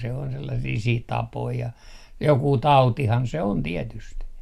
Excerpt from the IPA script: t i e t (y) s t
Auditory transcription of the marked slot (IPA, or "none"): y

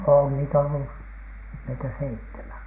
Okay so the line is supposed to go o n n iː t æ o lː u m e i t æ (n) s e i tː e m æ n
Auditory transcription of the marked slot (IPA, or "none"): none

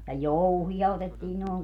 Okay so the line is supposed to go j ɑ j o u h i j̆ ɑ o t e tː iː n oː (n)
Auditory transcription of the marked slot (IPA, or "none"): ŋ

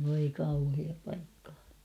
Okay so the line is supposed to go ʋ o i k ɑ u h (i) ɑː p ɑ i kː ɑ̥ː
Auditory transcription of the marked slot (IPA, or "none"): i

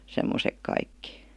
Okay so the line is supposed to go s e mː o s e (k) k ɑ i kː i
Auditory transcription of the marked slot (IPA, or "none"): k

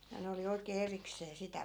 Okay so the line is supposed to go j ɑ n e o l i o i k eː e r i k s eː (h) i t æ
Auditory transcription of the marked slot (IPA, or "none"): s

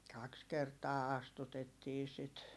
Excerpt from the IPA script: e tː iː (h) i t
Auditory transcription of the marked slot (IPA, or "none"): s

